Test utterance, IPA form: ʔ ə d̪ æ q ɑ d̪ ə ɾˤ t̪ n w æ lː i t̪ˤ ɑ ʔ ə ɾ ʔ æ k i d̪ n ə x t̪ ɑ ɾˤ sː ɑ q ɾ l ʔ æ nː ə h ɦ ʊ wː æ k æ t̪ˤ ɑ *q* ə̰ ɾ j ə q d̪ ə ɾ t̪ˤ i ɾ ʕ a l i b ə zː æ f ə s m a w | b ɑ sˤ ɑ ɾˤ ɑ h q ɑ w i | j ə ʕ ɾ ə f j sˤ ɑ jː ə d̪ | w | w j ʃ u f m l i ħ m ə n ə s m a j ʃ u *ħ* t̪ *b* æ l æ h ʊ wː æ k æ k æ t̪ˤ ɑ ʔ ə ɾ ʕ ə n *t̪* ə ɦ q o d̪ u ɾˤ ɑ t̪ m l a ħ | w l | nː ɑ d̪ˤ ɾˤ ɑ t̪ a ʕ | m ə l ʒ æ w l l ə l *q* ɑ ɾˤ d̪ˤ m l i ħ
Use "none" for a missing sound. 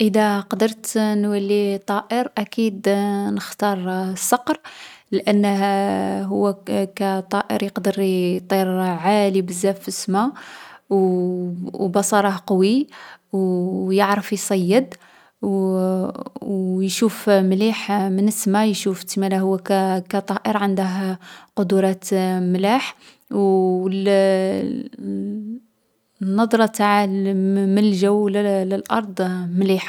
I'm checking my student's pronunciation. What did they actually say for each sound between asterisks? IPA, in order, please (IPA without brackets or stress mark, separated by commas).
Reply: ʔ, f, m, d̪, ʔ